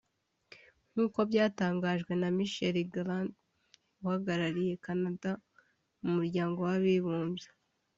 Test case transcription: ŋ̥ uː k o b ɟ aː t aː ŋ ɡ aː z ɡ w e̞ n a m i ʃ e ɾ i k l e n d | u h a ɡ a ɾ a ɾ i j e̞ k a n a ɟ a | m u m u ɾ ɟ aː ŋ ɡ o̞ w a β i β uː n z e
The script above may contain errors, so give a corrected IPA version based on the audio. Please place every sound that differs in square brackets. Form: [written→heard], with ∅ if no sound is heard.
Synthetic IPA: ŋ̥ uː k o b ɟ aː t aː ŋ ɡ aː [z→ʒ] ɡ w e̞ n a m i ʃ e ɾ i [k→ɡ] l [e→a] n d | u h a ɡ a ɾ a ɾ i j e̞ k a n a [ɟ→d] a | m u m u ɾ ɟ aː ŋ ɡ o̞ w a β i β uː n z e